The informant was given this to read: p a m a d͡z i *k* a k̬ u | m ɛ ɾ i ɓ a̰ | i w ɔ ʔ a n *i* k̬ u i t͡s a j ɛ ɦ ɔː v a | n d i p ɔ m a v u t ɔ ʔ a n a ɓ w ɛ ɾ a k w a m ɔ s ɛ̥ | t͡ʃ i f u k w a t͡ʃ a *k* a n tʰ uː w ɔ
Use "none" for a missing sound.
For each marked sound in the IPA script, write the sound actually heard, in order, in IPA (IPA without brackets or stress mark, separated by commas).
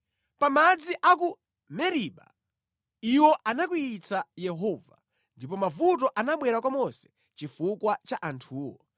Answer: ʔ, a, ʔ